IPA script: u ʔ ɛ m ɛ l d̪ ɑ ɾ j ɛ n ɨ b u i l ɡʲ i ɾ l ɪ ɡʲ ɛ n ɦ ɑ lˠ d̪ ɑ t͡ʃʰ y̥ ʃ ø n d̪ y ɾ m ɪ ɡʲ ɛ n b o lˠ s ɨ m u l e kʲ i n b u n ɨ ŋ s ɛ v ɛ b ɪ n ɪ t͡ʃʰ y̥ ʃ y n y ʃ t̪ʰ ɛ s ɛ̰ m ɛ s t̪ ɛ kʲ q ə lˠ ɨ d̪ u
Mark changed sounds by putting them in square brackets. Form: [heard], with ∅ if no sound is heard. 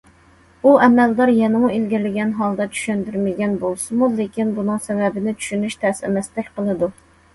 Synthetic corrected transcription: u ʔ ɛ m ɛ l d̪ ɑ ɾ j ɛ n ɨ [m] u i l ɡʲ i ɾ l ɪ ɡʲ ɛ n ɦ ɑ lˠ d̪ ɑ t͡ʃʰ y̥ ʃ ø n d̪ y ɾ m ɪ ɡʲ ɛ n b o lˠ s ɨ m u l e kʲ i n b u n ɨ ŋ s ɛ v ɛ b ɪ n ɪ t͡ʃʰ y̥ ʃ y n y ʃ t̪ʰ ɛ s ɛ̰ m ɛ s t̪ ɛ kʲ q ə lˠ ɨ d̪ u